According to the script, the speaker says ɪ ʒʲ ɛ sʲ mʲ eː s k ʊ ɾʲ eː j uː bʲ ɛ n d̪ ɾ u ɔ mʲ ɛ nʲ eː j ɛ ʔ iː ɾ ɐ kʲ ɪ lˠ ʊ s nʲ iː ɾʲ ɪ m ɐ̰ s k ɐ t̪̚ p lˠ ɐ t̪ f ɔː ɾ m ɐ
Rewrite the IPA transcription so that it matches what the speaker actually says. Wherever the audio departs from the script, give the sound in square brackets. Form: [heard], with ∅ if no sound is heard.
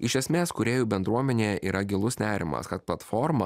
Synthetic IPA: ɪ [ʃʲ] ɛ sʲ mʲ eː s k ʊ ɾʲ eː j uː bʲ ɛ n d̪ ɾ u ɔ mʲ ɛ nʲ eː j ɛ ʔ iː ɾ ɐ [ɡʲ] ɪ lˠ ʊ s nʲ [æː] ɾʲ ɪ m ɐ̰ s k ɐ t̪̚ p lˠ ɐ t̪ f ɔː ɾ m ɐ